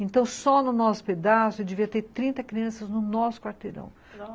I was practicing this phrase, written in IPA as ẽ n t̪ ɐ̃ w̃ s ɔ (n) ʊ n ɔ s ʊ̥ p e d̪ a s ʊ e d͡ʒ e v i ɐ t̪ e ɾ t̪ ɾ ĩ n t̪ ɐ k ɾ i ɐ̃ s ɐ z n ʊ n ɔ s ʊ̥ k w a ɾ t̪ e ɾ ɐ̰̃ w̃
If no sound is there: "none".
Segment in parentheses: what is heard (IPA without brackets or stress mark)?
n